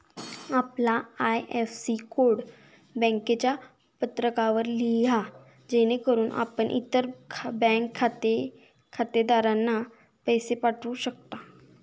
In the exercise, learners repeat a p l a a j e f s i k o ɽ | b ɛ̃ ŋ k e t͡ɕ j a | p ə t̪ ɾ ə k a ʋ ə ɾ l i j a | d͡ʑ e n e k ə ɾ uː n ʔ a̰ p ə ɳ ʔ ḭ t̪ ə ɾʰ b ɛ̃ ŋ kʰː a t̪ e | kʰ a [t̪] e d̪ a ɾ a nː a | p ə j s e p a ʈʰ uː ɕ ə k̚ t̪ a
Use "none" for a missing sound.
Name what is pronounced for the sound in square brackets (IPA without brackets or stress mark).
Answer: t̪